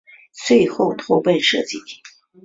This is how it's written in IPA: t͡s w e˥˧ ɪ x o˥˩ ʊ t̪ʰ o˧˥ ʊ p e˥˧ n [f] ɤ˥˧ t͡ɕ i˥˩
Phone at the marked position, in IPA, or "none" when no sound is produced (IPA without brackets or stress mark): ʂ